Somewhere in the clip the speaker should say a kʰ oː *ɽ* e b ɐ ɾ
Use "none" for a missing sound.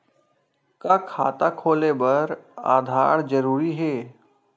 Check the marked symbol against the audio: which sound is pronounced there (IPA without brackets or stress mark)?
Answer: l